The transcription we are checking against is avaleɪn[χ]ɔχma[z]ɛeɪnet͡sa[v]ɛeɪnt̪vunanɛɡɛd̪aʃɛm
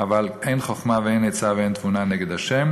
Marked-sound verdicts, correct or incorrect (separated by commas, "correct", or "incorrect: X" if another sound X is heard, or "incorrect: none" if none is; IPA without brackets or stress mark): correct, incorrect: v, correct